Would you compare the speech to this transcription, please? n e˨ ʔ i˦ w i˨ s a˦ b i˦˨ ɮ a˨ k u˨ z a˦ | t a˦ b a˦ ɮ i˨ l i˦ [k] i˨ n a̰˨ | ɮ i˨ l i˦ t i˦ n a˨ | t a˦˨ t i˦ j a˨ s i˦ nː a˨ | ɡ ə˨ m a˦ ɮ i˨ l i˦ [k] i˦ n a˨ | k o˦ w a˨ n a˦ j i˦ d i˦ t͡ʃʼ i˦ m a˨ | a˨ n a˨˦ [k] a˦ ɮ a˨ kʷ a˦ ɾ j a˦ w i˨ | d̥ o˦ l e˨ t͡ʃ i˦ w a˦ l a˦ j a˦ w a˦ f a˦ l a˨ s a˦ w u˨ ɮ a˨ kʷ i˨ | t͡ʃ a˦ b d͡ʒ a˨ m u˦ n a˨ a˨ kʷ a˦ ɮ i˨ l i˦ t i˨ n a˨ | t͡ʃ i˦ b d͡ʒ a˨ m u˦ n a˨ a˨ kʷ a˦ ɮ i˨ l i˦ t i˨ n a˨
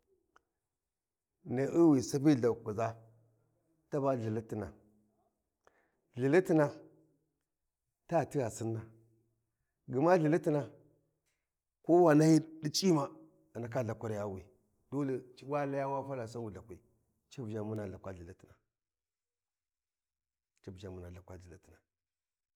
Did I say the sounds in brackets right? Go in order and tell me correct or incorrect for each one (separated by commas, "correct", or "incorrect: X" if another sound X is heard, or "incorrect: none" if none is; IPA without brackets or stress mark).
incorrect: t, incorrect: t, correct